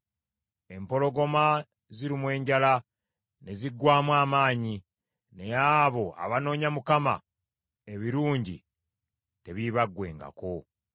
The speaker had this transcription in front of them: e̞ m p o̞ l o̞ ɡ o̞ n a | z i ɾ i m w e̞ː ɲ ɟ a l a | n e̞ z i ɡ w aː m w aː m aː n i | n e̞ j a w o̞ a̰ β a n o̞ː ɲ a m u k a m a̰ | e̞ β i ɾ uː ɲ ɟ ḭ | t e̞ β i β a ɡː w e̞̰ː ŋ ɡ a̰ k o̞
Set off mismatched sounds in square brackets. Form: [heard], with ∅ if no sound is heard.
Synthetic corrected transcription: e̞ m p o̞ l o̞ ɡ o̞ [m] a | z i ɾ i m w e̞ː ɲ ɟ a l a | n e̞ z i ɡ w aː m w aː m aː [ɲ] i | n e̞ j a [β] o̞ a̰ β a n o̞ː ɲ a m u k a m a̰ | e̞ β i ɾ uː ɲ ɟ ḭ | t e̞ β i β a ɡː w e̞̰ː ŋ ɡ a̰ k o̞